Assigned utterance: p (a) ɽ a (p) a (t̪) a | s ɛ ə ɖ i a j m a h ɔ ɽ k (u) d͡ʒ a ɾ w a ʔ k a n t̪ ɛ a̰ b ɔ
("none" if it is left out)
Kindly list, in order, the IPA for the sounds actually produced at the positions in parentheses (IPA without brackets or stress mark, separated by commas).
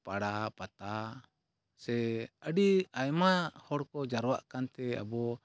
a, p, t̪, ɔ